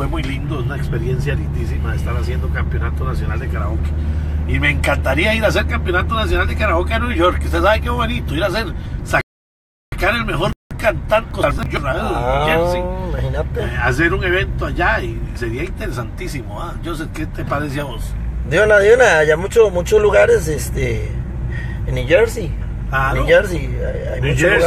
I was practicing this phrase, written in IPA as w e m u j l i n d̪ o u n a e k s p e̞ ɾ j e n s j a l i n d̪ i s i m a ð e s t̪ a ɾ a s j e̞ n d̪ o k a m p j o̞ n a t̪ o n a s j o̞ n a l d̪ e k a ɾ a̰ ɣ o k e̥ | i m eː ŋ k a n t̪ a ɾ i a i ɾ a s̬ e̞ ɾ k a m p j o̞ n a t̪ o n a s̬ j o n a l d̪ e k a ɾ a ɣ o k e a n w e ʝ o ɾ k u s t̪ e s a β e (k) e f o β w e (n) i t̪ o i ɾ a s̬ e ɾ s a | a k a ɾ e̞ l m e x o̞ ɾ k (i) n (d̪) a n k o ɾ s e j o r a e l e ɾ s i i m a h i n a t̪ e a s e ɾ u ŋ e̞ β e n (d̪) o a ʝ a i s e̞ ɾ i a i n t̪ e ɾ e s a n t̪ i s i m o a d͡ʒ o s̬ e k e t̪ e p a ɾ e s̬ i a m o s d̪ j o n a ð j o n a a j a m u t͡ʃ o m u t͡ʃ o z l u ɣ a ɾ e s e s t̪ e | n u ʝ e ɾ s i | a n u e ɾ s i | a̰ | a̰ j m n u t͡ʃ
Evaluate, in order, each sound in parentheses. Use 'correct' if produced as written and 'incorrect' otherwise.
correct, correct, incorrect: a, incorrect: t̪, incorrect: t̪

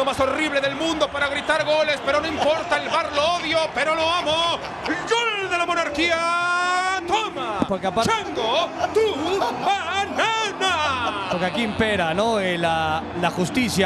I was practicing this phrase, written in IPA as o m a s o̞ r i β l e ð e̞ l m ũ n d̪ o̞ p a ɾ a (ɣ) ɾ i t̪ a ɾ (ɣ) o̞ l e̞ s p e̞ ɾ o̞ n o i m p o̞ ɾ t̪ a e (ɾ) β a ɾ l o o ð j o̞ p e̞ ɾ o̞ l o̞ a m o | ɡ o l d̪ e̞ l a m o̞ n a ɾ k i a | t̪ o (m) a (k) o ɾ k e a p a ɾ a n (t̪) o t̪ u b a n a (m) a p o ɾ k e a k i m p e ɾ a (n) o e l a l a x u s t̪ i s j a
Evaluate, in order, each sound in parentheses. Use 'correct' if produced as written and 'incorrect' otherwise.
correct, correct, incorrect: l, correct, incorrect: p, incorrect: d̪, incorrect: n, correct

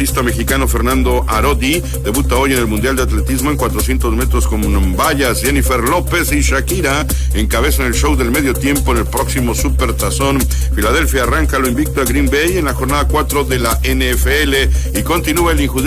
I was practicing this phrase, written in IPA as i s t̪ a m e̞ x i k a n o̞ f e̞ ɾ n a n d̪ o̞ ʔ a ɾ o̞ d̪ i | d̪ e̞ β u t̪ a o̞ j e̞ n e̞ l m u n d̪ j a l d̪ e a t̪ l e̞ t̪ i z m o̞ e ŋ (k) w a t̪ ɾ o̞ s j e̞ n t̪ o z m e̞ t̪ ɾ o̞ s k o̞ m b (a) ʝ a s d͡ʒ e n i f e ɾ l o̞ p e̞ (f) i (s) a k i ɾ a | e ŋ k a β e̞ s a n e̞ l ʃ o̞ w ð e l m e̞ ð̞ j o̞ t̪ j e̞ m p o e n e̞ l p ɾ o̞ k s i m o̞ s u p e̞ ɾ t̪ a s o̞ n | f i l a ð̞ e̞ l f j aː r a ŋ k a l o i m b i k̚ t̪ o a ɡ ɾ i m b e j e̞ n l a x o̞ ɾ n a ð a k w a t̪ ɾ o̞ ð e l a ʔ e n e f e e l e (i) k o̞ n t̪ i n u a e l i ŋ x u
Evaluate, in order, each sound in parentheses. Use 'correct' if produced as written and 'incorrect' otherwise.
correct, correct, incorrect: s, incorrect: ʃ, correct

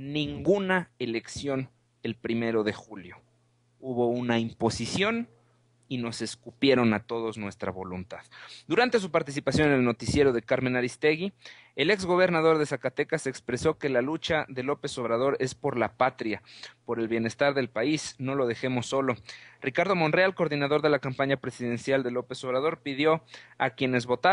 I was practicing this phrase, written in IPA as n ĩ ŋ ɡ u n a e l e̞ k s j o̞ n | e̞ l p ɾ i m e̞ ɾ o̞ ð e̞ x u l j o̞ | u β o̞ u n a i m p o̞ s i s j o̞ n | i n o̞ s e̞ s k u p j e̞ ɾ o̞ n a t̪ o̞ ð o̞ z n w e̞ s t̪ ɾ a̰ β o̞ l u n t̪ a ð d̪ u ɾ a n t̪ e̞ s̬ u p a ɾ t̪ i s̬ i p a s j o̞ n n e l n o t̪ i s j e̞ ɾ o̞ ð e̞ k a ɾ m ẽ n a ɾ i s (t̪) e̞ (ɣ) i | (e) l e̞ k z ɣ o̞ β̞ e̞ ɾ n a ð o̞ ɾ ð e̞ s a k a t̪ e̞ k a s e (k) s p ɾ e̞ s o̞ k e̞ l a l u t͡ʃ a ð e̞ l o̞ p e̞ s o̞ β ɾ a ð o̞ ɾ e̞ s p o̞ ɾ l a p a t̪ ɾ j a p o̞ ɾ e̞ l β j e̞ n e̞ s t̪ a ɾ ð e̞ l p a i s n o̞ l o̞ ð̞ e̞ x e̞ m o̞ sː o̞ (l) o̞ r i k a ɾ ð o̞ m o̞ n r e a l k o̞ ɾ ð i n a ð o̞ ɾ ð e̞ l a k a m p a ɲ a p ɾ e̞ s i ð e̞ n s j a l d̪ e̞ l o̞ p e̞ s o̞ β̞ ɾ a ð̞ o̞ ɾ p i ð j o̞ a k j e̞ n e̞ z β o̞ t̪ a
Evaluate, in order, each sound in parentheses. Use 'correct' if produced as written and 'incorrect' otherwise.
correct, correct, correct, correct, correct

